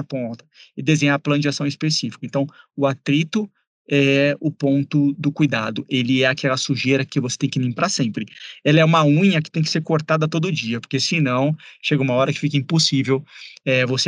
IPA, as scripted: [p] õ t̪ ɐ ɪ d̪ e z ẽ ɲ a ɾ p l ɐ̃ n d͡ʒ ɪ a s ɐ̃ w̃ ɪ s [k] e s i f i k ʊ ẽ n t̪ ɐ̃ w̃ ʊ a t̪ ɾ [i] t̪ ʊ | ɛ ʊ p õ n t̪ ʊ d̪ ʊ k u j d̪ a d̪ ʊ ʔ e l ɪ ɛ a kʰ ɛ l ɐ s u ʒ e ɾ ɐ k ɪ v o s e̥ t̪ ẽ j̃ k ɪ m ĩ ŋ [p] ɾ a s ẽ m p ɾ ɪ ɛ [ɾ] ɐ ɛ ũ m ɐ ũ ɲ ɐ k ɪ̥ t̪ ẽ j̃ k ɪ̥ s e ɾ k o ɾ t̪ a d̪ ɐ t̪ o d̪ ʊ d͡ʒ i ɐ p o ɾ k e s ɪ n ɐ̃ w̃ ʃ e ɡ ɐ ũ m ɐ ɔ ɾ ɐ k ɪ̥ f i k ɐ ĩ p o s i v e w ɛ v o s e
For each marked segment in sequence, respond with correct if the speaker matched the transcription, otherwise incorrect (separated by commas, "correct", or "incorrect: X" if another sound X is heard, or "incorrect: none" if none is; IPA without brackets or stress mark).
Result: correct, incorrect: p, correct, correct, incorrect: l